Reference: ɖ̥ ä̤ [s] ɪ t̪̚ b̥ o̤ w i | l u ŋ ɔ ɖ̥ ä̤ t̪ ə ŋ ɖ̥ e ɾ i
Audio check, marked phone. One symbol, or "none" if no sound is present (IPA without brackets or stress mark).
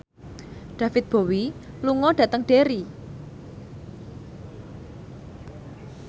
f